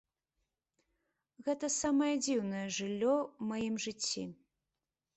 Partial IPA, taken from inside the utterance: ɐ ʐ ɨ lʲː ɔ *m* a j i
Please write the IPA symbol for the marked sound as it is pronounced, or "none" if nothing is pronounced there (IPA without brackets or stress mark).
m